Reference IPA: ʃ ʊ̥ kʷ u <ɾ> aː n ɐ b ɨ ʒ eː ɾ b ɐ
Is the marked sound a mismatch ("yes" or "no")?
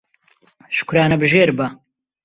no